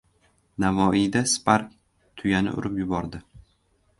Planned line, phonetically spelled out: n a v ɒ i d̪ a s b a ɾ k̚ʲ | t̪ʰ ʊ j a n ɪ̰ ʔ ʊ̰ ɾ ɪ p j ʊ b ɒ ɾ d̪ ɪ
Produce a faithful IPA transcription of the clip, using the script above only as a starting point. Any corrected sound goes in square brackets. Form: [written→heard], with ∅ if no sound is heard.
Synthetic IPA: n a v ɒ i d̪ a s [b→p] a ɾ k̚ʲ | t̪ʰ ʊ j a n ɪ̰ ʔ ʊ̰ ɾ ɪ p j ʊ b ɒ ɾ d̪ ɪ